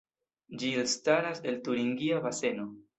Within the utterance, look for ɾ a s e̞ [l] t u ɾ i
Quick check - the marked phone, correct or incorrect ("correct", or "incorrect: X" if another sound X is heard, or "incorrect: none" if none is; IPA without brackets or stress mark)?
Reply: correct